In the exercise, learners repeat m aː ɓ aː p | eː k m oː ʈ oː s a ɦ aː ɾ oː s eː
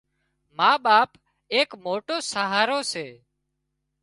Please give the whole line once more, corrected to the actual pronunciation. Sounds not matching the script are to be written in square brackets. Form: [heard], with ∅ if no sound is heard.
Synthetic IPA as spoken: m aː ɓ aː p | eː k m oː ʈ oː s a ɦ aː ɾ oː s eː

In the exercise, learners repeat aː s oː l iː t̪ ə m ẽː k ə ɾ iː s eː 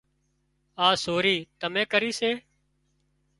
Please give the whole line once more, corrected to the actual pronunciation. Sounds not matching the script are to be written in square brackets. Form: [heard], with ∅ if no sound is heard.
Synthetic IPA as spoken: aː s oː [ɾ] iː t̪ ə m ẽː k ə ɾ iː s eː

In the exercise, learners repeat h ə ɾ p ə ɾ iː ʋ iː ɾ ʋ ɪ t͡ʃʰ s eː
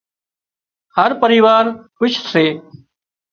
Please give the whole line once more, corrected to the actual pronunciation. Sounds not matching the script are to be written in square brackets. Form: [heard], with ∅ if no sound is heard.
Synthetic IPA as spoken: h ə ɾ p ə ɾ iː ʋ [aː] ɾ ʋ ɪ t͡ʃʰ s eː

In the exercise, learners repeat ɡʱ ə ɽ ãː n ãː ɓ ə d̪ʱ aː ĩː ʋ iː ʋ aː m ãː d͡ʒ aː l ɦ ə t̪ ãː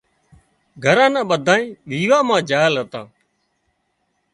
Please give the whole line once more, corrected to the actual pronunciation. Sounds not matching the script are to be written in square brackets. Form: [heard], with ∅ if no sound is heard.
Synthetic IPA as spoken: ɡʱ ə [ɾ] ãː n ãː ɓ ə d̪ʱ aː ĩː ʋ iː ʋ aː m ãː d͡ʒ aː l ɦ ə t̪ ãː

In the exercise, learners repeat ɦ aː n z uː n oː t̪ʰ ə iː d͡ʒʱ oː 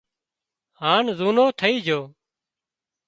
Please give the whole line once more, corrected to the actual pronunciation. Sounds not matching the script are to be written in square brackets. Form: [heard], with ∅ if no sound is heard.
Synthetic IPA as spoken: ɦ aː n z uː n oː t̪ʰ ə iː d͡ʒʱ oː

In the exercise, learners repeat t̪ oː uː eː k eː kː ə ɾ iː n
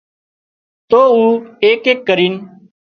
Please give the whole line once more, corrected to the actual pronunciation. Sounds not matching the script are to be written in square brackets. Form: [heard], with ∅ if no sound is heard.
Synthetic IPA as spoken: t̪ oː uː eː k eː kː ə ɾ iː n

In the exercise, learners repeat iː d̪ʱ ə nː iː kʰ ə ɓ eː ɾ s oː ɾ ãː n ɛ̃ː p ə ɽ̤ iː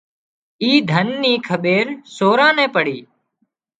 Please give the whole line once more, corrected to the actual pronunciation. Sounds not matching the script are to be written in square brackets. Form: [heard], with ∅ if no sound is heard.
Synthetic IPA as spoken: iː d̪ʱ ə nː iː kʰ ə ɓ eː ɾ s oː ɾ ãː n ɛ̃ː p ə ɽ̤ iː

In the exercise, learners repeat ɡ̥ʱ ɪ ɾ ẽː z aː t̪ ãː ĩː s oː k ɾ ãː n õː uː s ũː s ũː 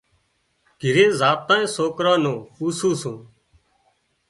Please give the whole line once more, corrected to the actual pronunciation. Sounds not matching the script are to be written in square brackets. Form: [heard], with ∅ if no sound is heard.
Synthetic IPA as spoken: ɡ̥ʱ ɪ ɾ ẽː z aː t̪ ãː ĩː s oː k ɾ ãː n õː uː s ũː s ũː

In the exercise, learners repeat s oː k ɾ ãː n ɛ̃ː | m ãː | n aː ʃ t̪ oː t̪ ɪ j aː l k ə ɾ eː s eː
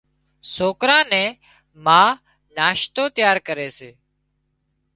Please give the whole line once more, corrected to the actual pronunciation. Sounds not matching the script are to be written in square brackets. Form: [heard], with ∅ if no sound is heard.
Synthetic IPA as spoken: s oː k ɾ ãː n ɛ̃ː | m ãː | n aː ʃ t̪ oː t̪ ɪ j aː [ɾ] k ə ɾ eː s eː

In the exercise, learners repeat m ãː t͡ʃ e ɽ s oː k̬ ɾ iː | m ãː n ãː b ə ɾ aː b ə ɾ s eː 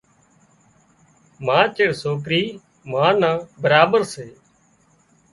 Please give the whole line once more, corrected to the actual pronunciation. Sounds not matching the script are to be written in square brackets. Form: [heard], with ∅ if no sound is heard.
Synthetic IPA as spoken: m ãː t͡ʃ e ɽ s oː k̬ ɾ iː | m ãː n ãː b ə ɾ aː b ə ɾ s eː

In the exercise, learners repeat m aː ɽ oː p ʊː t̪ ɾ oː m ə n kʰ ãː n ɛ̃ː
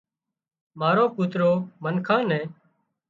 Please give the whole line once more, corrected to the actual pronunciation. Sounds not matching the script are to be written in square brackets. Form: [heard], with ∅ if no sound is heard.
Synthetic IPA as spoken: m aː [ɾ] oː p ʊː t̪ ɾ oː m ə n kʰ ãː n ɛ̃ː

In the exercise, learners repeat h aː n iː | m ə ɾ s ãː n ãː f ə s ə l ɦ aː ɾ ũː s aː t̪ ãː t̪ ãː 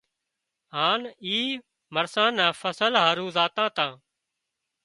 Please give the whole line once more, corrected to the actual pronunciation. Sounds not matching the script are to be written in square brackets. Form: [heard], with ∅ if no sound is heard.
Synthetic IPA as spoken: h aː n iː | m ə ɾ s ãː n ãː f ə s ə l ɦ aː ɾ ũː [z] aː t̪ ãː t̪ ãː

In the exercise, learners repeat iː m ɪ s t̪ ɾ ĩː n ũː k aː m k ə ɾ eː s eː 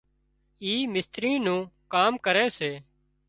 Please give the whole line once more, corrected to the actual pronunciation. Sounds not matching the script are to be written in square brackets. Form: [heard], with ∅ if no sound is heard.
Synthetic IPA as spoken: iː m ɪ s t̪ ɾ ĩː n ũː k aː m k ə ɾ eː s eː

